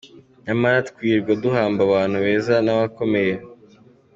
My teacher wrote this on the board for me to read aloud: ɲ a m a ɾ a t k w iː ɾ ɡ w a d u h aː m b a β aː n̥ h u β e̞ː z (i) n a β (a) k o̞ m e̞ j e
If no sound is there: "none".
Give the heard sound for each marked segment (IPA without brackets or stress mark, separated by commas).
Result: a, a